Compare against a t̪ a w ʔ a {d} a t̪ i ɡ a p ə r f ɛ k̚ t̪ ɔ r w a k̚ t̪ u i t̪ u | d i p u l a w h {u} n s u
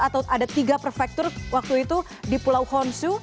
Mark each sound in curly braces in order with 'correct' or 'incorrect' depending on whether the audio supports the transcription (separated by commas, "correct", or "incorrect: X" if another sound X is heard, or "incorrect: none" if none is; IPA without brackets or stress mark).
correct, incorrect: ɔ